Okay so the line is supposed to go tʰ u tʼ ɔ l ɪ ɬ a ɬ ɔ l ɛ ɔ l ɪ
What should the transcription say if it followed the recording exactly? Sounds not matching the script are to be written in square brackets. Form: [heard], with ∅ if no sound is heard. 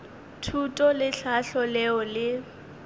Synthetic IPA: tʰ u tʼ ɔ l ɪ ɬ a ɬ ɔ l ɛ ɔ l ɪ